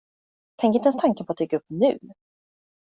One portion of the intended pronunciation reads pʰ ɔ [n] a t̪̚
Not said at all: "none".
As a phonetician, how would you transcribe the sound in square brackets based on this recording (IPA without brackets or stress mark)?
none